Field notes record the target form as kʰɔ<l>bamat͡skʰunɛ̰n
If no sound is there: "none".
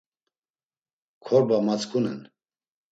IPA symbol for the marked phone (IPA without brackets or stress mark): ɾ